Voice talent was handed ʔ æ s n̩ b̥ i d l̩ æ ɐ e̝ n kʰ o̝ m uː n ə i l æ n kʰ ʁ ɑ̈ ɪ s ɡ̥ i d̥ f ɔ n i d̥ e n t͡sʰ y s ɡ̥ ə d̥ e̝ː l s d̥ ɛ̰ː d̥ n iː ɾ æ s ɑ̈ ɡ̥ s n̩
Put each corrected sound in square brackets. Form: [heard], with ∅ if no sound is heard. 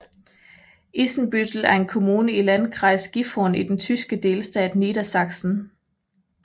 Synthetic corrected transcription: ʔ [i] s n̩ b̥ [y] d l̩ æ ɐ e̝ n kʰ o̝ m uː n ə i l æ n kʰ ʁ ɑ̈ ɪ s ɡ̥ i [∅] f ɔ n i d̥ e n t͡sʰ y s ɡ̥ ə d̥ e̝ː l s d̥ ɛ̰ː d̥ n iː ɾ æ s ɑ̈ ɡ̥ s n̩